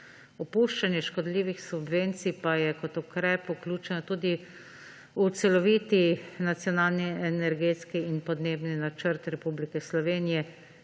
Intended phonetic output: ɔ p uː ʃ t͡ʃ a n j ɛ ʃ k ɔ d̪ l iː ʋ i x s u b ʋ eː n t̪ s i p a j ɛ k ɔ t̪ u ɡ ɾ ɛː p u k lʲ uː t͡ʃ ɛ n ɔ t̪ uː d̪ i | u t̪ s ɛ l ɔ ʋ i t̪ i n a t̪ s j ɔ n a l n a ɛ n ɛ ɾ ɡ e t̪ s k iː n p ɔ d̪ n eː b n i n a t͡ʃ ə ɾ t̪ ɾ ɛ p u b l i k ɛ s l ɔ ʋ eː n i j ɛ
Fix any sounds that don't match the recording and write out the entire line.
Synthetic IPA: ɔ p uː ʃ t͡ʃ a n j ɛ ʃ k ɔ d̪ l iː ʋ i x s u b ʋ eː n t̪ s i p a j ɛ k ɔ t̪ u k ɾ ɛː p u k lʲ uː t͡ʃ ɛ n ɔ t̪ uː d̪ i | u t̪ s ɛ l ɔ ʋ i t̪ i n a t̪ s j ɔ n a l n i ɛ n ɛ ɾ ɡ e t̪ s k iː n p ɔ d̪ n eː b n i n a t͡ʃ ə ɾ t̪ ɾ ɛ p u b l i k ɛ s l ɔ ʋ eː n i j ɛ